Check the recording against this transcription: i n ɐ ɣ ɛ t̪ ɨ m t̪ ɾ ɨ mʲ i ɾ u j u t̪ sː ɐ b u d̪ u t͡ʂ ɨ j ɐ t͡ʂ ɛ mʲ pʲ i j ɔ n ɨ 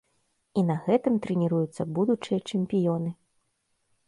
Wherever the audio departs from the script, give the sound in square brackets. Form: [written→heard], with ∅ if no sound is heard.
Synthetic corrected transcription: i n ɐ ɣ ɛ t̪ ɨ m t̪ ɾ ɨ [mʲ→nʲ] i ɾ u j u t̪ sː ɐ b u d̪ u t͡ʂ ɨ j ɐ t͡ʂ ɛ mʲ pʲ i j ɔ n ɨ